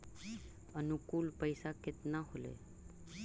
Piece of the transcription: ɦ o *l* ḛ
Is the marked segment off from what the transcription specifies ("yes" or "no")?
no